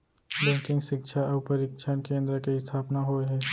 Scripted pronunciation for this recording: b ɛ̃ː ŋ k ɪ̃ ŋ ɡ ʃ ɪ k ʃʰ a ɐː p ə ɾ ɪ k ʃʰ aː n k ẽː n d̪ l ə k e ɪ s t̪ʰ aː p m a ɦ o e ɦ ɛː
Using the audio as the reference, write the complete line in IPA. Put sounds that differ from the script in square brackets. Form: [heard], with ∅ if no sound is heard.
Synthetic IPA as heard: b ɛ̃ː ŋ k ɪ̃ ŋ ɡ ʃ ɪ k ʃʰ a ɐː p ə ɾ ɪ k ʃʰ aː n k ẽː n d̪ [ɾ] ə k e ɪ s t̪ʰ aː p [n] a ɦ o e ɦ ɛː